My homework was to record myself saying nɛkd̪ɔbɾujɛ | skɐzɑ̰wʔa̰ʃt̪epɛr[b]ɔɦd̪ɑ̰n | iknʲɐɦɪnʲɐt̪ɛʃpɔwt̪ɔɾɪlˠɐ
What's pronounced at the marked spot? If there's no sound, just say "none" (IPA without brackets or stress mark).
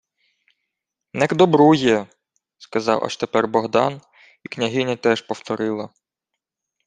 b